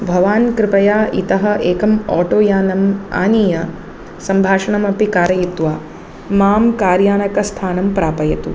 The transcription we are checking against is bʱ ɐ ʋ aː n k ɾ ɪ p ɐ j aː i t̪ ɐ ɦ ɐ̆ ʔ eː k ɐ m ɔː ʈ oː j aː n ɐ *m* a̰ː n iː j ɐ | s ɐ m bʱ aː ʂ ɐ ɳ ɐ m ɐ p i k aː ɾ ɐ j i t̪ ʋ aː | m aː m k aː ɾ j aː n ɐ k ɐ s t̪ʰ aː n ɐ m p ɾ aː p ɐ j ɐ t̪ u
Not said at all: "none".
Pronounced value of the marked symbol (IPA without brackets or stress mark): m